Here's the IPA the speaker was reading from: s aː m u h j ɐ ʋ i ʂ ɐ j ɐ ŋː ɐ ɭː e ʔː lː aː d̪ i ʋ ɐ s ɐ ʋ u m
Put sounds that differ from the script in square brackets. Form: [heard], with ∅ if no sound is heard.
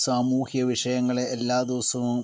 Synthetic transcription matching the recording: s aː m [uː] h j ɐ ʋ i ʂ ɐ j ɐ ŋː ɐ [ɭ] e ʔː lː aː d̪ i ʋ ɐ s ɐ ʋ u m